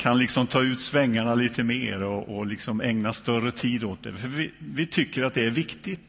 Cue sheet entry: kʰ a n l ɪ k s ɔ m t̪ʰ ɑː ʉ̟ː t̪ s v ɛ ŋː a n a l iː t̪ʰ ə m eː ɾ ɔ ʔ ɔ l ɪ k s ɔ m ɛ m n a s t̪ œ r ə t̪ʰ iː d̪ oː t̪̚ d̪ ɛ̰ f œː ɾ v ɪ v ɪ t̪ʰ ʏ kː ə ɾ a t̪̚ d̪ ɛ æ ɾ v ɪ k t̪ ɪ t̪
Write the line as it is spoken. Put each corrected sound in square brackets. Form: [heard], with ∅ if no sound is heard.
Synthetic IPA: kʰ a n l ɪ k s ɔ m t̪ʰ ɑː ʉ̟ː t̪ s v ɛ ŋː a [ɳ] a l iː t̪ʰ ə m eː ɾ ɔ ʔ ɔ l ɪ k s ɔ m ɛ [ŋ] n a s t̪ œ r ə t̪ʰ iː d̪ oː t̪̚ d̪ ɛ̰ f [œ] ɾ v ɪ v ɪ t̪ʰ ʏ kː ə ɾ a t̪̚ d̪ ɛ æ ɾ v ɪ k t̪ ɪ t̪